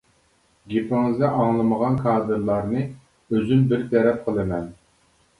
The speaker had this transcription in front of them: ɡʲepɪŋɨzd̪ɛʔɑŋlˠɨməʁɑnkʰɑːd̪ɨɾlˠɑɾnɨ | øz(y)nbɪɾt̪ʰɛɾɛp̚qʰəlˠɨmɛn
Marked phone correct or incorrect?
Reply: correct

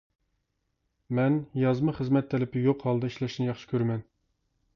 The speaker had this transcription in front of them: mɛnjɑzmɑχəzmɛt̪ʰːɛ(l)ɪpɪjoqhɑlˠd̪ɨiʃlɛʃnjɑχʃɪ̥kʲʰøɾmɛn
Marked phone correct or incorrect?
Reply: correct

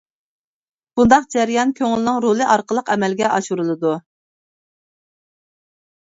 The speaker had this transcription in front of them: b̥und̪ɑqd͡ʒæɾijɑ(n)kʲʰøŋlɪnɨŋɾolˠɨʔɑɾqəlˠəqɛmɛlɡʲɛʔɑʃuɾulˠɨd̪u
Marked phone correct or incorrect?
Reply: correct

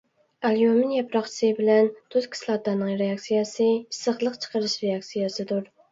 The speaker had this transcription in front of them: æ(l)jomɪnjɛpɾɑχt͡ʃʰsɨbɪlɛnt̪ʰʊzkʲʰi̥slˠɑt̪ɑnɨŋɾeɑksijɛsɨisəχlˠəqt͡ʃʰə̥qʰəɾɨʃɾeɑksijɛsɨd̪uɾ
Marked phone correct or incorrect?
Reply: correct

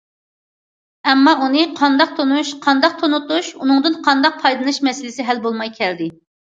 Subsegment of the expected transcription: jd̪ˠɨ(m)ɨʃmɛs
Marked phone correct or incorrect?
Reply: incorrect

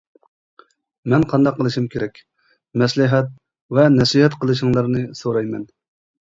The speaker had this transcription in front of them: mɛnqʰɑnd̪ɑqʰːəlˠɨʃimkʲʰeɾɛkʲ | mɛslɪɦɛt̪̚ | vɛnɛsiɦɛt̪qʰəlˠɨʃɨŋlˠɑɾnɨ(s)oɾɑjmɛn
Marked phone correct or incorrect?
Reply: correct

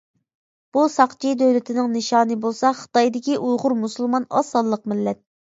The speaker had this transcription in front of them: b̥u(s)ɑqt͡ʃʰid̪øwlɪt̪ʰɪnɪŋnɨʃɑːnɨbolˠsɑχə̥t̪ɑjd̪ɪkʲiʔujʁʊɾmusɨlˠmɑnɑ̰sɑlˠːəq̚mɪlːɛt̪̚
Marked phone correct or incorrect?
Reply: correct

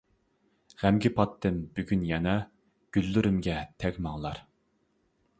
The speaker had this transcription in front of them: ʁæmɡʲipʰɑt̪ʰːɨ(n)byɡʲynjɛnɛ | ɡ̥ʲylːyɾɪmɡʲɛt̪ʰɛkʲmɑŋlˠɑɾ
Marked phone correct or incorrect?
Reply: correct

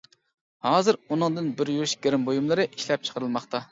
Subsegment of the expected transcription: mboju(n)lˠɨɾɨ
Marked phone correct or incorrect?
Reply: incorrect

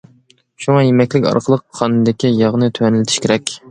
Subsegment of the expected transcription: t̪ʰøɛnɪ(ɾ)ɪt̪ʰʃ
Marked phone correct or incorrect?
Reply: incorrect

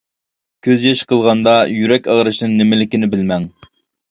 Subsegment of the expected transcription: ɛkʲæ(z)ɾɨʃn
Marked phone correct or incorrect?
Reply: incorrect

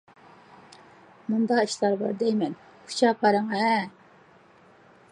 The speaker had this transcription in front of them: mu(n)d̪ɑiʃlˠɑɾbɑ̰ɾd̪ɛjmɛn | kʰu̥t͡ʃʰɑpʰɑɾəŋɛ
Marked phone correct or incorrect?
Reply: correct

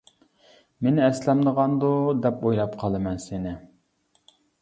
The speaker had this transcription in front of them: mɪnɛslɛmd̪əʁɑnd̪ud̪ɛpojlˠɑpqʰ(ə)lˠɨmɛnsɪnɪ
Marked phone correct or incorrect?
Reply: incorrect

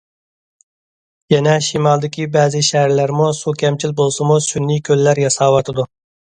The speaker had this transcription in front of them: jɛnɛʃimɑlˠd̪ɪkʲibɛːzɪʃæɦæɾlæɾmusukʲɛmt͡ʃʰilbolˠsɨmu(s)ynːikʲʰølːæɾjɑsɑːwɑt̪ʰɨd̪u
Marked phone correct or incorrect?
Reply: correct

